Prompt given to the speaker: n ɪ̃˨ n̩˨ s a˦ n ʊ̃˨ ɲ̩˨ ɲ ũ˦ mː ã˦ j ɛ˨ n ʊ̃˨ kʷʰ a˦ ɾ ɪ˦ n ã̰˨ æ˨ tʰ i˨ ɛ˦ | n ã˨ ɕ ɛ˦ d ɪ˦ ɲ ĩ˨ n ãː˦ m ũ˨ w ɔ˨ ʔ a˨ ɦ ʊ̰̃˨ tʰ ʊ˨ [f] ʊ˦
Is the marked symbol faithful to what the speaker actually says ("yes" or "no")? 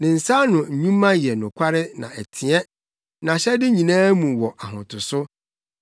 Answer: no